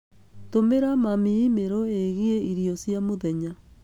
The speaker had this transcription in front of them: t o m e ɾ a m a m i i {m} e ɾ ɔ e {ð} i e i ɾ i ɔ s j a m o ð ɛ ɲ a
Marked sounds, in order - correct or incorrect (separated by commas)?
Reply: correct, incorrect